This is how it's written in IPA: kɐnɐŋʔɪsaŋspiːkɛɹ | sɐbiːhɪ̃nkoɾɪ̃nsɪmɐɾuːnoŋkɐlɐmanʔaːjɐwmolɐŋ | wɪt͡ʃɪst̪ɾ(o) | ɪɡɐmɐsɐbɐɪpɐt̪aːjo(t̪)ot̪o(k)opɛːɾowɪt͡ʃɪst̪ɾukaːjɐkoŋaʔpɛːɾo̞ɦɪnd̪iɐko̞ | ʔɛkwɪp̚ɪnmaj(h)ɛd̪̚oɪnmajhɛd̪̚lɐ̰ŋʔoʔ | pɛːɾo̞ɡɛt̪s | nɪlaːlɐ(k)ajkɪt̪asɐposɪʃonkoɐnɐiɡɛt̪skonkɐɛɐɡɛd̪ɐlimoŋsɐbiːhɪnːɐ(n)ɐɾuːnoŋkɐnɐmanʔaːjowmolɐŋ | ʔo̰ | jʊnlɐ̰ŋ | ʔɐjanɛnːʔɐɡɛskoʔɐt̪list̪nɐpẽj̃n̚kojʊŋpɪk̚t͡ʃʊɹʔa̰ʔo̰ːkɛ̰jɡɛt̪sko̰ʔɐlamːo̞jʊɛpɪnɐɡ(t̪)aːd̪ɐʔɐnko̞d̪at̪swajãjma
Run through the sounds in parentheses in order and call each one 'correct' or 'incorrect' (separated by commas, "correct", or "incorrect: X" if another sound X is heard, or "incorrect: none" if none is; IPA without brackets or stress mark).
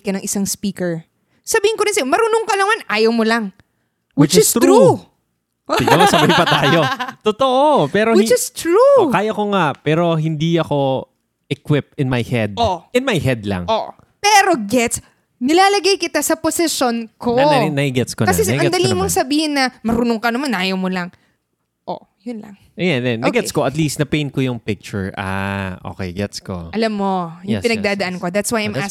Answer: incorrect: u, correct, incorrect: ʔ, correct, incorrect: ɡ, incorrect: m, incorrect: d̪